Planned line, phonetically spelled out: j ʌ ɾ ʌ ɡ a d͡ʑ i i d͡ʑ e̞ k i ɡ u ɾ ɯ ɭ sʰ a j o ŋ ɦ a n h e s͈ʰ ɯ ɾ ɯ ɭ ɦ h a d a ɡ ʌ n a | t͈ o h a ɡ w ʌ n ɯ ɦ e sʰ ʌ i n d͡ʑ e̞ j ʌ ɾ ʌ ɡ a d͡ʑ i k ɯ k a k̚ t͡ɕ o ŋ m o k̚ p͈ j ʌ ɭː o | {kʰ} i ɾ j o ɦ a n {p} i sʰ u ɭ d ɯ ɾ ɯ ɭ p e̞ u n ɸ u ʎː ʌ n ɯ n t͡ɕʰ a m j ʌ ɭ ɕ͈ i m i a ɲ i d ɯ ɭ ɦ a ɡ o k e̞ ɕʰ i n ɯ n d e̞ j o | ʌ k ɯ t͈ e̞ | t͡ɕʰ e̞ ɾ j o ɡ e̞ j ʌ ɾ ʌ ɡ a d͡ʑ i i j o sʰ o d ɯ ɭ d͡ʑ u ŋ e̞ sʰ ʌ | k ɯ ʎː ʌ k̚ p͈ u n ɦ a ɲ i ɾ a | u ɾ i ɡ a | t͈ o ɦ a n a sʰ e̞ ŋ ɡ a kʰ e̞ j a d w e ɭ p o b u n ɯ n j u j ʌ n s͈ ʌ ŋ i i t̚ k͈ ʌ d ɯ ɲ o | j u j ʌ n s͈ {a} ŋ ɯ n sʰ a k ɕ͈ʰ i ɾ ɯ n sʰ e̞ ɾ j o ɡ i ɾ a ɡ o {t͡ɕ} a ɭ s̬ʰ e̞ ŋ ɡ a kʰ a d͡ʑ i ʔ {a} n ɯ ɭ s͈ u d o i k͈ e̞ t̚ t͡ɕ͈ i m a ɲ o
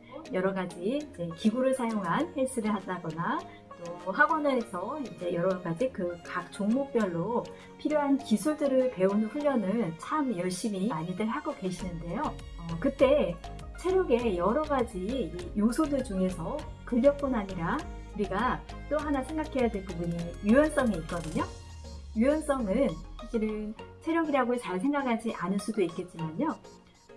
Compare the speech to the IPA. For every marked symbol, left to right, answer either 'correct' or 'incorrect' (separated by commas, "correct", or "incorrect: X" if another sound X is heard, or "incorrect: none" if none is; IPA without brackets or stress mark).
incorrect: pʰ, incorrect: k, incorrect: ʌ, correct, correct